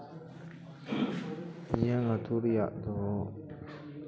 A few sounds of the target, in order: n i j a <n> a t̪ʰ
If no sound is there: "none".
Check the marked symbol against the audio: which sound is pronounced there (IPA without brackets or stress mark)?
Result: ŋ